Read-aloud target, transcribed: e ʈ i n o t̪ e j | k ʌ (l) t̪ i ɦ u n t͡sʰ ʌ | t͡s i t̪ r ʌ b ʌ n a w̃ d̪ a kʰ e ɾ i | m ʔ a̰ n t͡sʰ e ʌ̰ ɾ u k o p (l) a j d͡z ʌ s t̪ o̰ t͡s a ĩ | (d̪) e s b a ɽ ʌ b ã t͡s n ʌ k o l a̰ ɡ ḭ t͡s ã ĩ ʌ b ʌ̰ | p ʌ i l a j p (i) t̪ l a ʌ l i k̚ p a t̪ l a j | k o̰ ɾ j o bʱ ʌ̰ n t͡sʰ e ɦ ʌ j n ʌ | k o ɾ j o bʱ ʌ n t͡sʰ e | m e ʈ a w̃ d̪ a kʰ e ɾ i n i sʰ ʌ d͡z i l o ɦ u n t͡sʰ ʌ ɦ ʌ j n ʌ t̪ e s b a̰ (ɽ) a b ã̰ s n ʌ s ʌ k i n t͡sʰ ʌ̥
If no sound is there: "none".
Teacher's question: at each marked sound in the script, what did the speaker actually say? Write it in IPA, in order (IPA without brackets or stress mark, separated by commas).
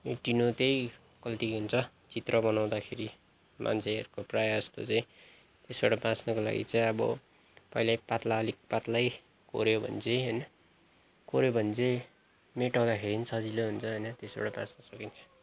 l, r, t̪, a, ɽ